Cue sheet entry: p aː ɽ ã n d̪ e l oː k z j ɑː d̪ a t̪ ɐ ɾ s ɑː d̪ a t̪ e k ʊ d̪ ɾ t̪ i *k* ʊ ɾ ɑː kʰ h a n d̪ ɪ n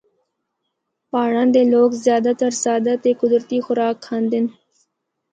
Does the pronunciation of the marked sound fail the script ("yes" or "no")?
yes